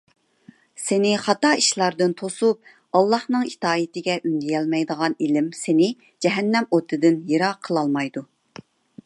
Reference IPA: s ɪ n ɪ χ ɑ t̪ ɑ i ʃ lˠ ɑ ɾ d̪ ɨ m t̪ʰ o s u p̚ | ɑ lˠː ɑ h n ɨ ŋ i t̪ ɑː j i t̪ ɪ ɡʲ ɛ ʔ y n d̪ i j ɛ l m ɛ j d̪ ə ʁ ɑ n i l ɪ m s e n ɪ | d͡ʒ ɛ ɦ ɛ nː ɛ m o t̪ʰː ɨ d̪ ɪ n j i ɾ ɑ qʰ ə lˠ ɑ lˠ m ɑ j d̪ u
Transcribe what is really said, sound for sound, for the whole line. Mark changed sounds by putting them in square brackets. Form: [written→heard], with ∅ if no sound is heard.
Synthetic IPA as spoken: s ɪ n ɪ χ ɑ t̪ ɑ i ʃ lˠ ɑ ɾ d̪ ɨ [m→n] t̪ʰ o s u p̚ | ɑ lˠː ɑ h n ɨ ŋ i t̪ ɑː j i t̪ ɪ ɡʲ ɛ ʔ y n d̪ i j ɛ l m ɛ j d̪ ə ʁ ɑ n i l ɪ m s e n ɪ | d͡ʒ ɛ ɦ ɛ nː ɛ m o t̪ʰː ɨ d̪ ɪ n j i ɾ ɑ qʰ ə lˠ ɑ lˠ m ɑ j d̪ u